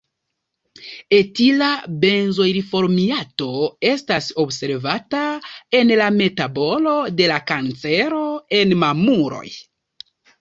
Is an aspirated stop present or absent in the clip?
absent